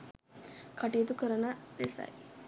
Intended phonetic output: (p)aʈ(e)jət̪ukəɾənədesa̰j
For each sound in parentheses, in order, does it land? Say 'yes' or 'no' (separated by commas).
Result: no, no